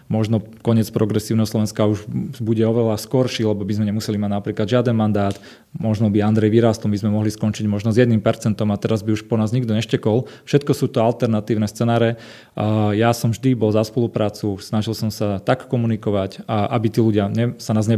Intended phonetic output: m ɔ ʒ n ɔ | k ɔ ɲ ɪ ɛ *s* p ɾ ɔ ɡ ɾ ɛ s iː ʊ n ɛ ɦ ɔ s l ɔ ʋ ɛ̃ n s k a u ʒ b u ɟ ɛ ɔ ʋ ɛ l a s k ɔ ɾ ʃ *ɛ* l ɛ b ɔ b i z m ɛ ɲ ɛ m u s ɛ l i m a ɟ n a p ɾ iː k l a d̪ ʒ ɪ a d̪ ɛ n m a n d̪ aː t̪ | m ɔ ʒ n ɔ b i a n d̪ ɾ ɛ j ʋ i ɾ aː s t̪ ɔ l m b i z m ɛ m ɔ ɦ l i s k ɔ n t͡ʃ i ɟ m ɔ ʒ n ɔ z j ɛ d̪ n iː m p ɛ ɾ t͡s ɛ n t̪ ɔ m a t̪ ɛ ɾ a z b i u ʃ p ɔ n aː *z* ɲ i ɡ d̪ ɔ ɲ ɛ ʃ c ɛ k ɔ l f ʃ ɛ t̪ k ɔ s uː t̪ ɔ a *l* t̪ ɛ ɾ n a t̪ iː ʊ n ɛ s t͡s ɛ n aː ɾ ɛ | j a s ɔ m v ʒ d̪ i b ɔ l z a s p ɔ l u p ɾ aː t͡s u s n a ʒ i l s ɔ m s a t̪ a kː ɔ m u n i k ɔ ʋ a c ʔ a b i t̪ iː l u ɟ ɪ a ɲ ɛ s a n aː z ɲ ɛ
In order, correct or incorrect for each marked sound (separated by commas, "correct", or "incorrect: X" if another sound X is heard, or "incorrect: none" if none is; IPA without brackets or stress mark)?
incorrect: t͡s, incorrect: i, correct, correct